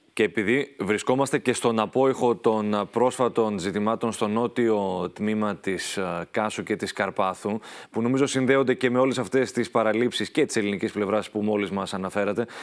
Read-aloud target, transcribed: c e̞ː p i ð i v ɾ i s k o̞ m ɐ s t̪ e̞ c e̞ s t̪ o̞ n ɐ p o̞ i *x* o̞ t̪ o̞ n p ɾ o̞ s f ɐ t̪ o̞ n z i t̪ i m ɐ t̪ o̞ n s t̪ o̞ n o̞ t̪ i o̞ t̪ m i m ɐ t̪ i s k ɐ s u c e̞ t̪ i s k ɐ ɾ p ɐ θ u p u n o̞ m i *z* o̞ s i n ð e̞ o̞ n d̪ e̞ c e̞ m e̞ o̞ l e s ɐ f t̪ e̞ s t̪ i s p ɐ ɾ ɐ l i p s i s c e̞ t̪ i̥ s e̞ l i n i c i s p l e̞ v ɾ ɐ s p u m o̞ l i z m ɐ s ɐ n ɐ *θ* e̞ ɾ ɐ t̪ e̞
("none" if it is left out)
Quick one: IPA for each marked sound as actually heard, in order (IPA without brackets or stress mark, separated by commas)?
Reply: x, z, f